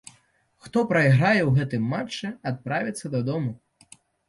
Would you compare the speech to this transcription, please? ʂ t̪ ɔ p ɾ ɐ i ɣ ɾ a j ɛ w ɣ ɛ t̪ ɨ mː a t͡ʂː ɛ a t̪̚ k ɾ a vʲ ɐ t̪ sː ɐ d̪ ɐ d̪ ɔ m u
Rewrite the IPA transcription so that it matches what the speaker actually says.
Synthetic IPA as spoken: x t̪ ɔ p ɾ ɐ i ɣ ɾ a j ɛ w ɣ ɛ t̪ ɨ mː a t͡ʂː ɛ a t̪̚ p ɾ a vʲ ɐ t̪ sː ɐ d̪ ɐ d̪ ɔ m u

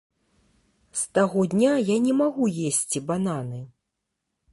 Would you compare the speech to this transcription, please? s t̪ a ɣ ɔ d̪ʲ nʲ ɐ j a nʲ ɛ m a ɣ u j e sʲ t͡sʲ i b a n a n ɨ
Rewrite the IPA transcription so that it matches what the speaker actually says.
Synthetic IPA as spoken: s t̪ a ɣ ɔ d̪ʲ nʲ a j a nʲ ɛ m a ɣ u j e sʲ t͡sʲ i b a n a n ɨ

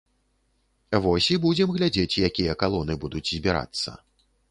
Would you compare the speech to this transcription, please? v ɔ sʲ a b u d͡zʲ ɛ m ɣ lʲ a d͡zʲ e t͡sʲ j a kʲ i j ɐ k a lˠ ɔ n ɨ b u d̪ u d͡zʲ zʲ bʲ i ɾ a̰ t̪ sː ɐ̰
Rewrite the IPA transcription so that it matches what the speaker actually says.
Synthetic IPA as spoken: v ɔ sʲ i b u d͡zʲ ɛ m ɣ lʲ a d͡zʲ e t͡sʲ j a kʲ i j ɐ k a lˠ ɔ n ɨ b u d̪ u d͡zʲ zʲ bʲ i ɾ a̰ t̪ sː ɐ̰

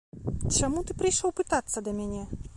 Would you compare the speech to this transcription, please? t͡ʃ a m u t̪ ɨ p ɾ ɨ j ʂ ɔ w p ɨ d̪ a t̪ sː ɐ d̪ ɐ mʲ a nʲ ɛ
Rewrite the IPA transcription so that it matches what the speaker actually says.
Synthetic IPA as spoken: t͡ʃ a m u t̪ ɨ p ɾ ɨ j ʂ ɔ w p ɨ t̪ a t̪ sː ɐ d̪ ɐ mʲ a nʲ ɛ

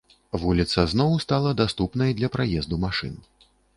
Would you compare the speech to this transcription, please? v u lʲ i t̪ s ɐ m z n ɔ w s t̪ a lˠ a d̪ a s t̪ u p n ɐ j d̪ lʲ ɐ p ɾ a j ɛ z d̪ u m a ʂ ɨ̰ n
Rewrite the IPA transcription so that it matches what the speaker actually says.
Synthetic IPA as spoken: v u lʲ i t̪ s ɐ z n ɔ w s t̪ a lˠ ɐ d̪ a s t̪ u p n ɐ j d̪ lʲ ɐ p ɾ a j ɛ z d̪ u m a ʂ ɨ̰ n

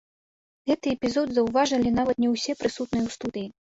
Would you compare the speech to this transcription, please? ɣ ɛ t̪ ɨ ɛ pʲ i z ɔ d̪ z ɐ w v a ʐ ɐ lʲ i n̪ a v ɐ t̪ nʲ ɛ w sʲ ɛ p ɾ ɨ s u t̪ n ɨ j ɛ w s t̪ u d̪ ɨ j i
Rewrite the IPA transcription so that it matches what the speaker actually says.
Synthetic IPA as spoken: ɣ ɛ t̪ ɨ ɛ pʲ i z ɔ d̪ z ɐ w v a ʐ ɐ lʲ i n̪ a v ɐ t̪ nʲ ɛ w sʲ ɛ p ɾ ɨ s u t̪ n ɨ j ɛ w s t̪ u d̪ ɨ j i

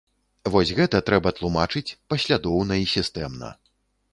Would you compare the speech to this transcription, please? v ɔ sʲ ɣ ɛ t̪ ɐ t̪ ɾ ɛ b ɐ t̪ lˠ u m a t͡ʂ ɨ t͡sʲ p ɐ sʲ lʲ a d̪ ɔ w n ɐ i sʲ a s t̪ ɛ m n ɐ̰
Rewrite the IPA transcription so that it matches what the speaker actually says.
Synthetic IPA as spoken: v ɔ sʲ ɣ ɛ t̪ ɐ t̪ ɾ ɛ b ɐ t̪ lˠ u m a t͡ʂ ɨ t͡sʲ p ɐ sʲ lʲ a d̪ ɔ w n ɐ i sʲ i s t̪ ɛ m n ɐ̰

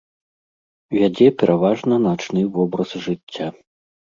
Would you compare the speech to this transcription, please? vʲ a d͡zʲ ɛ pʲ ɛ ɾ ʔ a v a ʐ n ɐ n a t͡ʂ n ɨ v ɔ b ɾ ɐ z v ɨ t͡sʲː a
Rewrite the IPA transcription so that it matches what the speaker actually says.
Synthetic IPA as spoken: vʲ a d͡zʲ ɛ pʲ ɛ ɾ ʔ a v a ʐ n ɐ n a t͡ʂ n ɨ v ɔ b ɾ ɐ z ʐ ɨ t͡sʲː a

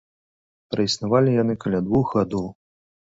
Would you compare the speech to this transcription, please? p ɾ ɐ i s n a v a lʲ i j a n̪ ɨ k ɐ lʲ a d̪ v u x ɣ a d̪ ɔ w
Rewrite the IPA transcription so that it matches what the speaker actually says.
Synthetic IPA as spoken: p ɾ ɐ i s n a v a lʲ i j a n̪ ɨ k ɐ lʲ a d̪ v u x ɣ a d̪ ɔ w

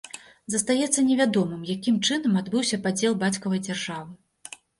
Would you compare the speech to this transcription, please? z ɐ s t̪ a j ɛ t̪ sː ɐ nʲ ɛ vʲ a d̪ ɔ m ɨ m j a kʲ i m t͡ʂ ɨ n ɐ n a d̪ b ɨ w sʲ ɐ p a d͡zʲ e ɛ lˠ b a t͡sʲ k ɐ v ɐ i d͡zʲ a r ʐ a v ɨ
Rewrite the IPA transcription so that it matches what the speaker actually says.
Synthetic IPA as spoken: z ɐ s t̪ a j ɛ t̪ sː ɐ nʲ ɛ vʲ a d̪ ɔ m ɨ m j a kʲ i m t͡ʂ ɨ n ɐ m a d̪ b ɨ w sʲ ɐ p a d͡zʲ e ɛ lˠ b a t͡sʲ k ɐ v ɐ j d͡zʲ a r ʐ a v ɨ

